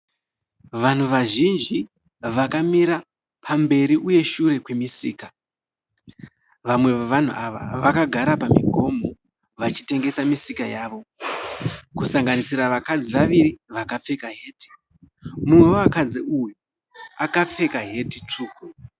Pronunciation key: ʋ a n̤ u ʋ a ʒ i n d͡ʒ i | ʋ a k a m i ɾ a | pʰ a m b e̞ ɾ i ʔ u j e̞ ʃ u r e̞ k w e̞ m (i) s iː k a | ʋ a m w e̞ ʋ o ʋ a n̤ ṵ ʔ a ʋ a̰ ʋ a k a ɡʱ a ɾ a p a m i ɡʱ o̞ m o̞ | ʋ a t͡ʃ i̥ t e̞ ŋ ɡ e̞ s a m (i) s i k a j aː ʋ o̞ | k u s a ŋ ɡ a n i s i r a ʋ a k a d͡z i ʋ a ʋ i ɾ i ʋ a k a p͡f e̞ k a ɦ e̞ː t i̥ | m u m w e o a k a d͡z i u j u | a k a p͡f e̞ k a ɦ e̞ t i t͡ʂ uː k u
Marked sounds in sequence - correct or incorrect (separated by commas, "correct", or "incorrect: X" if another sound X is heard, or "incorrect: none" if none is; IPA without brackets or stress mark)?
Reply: correct, correct